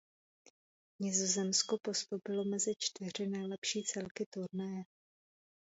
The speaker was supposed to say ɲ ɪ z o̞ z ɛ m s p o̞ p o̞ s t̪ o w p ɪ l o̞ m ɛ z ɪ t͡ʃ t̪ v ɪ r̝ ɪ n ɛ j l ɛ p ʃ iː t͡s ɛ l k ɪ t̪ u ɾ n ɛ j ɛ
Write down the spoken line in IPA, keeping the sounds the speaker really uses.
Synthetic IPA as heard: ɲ ɪ z o̞ z ɛ m s k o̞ p o̞ s t̪ o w p ɪ l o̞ m ɛ z ɪ t͡ʃ t̪ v ɪ r̝ ɪ n ɛ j l ɛ p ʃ iː t͡s ɛ l k ɪ t̪ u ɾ n ɛ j ɛ